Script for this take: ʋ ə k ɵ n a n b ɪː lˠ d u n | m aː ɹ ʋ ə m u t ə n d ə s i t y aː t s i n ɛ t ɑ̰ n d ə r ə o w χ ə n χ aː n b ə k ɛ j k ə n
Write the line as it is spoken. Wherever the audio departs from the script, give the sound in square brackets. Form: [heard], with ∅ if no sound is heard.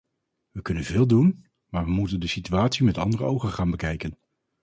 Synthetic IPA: ʋ ə k ɵ n [ə] n [v] ɪː lˠ d u n | m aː ɹ ʋ ə m u t ə n d ə s i t y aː t s i [m] ɛ t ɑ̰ n d ə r ə o w χ ə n χ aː n b ə k ɛ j k ə n